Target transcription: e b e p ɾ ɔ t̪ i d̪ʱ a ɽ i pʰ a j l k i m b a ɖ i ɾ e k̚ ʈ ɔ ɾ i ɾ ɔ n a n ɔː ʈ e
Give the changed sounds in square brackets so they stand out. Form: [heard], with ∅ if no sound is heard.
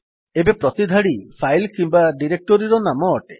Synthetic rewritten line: e b e p ɾ ɔ t̪ i d̪ʱ a ɽ i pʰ a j l k i m b a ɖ i ɾ e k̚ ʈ ɔ ɾ i ɾ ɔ n a [m] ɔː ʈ e